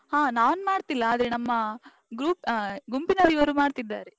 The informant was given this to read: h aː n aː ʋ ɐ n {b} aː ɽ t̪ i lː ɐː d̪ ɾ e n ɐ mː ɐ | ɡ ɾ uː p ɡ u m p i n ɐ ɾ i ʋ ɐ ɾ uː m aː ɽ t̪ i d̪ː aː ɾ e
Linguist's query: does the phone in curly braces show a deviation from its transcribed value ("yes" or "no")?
yes